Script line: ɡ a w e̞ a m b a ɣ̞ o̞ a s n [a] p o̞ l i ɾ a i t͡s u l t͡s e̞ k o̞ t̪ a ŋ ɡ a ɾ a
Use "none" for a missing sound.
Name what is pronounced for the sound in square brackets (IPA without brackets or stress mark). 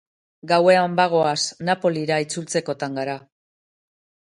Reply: a